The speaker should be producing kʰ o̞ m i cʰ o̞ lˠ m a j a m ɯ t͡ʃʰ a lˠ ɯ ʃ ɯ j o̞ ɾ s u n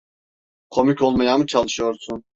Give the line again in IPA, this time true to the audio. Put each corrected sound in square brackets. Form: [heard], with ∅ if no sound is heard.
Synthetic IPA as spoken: kʰ o̞ m i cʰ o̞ lˠ m a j a m ɯ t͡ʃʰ a lˠ ɯ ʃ ɯ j o̞ ɾ s u n